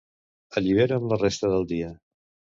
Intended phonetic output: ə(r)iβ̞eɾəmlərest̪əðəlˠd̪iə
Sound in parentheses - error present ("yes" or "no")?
yes